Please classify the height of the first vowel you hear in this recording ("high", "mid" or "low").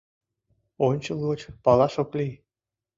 mid